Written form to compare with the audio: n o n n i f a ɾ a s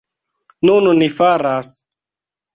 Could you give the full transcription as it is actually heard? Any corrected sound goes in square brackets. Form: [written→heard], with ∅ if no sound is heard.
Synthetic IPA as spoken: n [o→u] n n i f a ɾ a s